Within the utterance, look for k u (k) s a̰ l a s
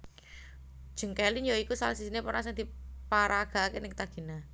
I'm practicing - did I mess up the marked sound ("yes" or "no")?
yes